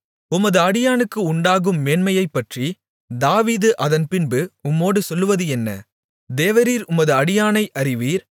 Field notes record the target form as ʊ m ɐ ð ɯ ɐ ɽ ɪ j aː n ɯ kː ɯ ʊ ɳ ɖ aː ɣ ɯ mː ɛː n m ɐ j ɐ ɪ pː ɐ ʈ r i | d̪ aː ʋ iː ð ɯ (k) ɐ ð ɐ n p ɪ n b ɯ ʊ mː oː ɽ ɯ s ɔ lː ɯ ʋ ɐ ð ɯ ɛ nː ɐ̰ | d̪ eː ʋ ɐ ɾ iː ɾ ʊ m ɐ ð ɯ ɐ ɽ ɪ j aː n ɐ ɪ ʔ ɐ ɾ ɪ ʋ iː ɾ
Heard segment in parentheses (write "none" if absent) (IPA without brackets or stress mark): ʔ